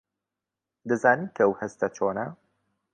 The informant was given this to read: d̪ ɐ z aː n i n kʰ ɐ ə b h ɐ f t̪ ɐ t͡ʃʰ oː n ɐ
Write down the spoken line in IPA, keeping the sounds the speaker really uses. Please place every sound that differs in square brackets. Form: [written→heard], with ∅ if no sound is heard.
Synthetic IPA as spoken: d̪ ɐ z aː n i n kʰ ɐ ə [b→w] h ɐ [f→s] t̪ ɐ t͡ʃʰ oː n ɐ